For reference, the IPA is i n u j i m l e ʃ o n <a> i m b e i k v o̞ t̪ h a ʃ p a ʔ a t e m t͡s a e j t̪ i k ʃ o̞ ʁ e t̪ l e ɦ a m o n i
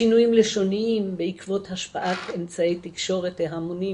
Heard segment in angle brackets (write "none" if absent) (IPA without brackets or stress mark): i